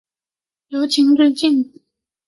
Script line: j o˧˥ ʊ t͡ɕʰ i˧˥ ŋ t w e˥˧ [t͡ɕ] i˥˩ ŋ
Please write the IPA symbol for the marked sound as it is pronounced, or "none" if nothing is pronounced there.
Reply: t͡ɕ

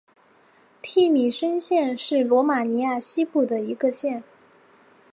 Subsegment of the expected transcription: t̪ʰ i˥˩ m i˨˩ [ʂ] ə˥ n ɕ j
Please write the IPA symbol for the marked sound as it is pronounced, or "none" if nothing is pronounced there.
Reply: ʂ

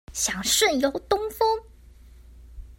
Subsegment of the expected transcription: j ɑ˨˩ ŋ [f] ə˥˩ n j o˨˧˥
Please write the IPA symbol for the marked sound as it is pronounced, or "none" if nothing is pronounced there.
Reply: ʂ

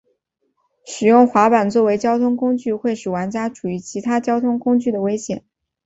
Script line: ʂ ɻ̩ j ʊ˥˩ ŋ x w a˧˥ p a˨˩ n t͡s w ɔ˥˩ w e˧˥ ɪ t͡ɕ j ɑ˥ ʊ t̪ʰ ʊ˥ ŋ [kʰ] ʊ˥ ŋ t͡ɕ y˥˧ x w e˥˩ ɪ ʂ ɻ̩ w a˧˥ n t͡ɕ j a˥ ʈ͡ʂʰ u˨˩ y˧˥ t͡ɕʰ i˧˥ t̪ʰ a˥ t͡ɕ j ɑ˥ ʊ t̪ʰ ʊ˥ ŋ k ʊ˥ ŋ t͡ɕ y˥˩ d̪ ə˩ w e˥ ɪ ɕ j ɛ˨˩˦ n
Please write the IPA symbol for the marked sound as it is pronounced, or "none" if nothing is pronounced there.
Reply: k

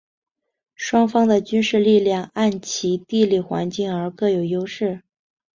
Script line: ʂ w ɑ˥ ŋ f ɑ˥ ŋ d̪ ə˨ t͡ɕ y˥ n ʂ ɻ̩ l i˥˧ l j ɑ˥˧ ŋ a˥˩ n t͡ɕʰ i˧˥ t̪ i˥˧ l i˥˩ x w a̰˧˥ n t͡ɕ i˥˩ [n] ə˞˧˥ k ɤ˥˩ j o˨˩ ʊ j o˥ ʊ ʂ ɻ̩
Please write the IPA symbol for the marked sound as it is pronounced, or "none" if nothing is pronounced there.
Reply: ŋ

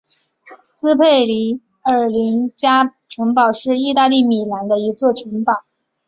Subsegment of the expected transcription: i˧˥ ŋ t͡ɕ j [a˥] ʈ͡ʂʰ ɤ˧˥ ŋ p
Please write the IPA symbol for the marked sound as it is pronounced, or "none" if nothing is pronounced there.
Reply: a˥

